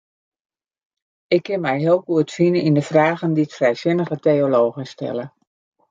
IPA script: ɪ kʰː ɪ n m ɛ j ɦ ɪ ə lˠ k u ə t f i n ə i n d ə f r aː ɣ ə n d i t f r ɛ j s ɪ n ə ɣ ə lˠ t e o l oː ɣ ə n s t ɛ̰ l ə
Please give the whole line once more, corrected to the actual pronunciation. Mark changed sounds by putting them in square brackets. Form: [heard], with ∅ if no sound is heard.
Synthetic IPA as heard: ɪ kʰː ɪ n m ɛ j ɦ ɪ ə lˠ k u ə t f i n ə i n d ə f r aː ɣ ə n d i t f r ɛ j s ɪ n ə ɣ ə [∅] t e o l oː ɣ ə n s t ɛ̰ l ə